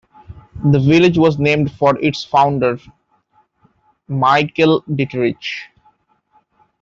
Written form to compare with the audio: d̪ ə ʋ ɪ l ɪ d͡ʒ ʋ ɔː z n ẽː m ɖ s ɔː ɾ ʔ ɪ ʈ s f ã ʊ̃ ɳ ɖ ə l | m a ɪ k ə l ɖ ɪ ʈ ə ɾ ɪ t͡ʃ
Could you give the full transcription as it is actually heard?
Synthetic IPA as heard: d̪ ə ʋ ɪ l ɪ d͡ʒ ʋ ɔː z n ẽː m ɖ f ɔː ɾ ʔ ɪ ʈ s f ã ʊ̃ ɳ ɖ ə ɾ | m a ɪ k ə l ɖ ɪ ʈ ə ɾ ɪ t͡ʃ